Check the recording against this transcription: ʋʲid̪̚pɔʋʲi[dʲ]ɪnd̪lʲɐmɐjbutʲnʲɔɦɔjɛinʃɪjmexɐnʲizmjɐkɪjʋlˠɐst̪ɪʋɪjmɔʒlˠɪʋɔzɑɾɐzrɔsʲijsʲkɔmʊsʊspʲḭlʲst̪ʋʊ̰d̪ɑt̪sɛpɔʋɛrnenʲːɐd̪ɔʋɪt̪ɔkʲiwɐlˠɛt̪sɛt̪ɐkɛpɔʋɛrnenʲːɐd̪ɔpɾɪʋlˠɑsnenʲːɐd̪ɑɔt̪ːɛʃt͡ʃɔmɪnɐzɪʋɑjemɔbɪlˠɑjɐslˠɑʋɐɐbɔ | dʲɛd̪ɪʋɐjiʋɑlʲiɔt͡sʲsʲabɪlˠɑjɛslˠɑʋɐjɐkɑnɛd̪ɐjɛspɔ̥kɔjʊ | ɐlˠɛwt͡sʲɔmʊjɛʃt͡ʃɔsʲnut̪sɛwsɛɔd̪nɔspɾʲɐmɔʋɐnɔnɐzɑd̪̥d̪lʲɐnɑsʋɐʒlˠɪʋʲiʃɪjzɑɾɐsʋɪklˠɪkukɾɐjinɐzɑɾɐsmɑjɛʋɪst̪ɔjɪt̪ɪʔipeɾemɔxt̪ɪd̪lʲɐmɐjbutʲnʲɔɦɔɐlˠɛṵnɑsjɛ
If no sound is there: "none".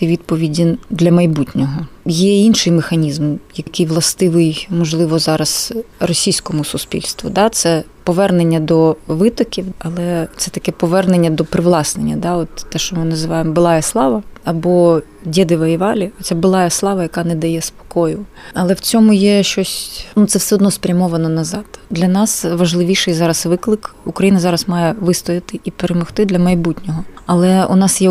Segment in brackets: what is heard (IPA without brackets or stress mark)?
dʲ